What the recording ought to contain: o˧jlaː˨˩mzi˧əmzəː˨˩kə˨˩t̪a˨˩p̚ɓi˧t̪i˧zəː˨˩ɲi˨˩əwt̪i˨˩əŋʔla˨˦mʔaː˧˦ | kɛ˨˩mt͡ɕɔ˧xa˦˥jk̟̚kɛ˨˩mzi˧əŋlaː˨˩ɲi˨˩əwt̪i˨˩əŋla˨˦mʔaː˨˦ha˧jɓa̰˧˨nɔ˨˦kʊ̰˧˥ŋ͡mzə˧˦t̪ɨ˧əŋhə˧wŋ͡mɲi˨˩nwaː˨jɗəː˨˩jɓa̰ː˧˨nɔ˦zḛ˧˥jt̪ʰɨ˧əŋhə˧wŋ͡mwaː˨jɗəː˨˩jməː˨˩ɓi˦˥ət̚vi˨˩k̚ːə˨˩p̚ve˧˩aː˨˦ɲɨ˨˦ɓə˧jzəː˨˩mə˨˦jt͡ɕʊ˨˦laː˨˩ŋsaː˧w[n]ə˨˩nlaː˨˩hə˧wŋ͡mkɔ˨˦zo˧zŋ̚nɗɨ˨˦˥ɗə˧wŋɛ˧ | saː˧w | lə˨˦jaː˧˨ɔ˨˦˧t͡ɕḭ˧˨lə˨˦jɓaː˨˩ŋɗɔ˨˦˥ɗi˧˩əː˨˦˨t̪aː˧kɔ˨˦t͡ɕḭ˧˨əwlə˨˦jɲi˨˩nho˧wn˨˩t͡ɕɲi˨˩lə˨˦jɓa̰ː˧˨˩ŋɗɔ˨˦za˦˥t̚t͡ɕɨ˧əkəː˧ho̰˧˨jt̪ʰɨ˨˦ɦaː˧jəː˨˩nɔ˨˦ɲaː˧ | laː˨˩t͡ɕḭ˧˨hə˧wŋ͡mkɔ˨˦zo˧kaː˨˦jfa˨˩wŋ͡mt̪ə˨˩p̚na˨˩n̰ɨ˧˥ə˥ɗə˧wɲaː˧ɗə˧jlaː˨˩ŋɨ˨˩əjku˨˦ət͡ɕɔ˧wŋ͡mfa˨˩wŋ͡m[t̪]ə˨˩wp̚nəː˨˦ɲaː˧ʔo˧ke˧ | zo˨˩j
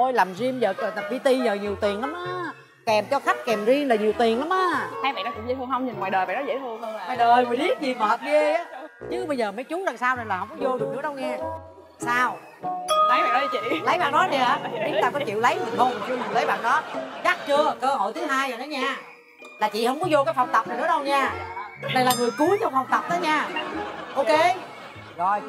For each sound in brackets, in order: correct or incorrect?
correct, correct

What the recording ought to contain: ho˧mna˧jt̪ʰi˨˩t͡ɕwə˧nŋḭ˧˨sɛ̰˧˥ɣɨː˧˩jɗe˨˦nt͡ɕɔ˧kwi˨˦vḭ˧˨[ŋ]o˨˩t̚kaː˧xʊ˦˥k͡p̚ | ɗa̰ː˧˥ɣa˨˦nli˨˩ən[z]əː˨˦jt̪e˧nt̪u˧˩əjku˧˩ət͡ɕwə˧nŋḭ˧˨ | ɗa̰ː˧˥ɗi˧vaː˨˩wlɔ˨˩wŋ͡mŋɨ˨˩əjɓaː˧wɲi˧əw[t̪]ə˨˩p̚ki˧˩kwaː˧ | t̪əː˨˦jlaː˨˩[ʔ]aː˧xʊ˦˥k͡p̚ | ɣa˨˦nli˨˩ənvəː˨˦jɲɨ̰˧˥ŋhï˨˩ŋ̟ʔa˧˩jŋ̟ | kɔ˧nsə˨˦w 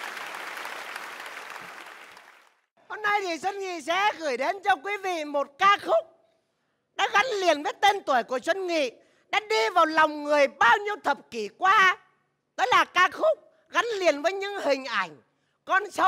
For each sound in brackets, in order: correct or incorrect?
incorrect: m, incorrect: v, incorrect: t̪ʰ, incorrect: k

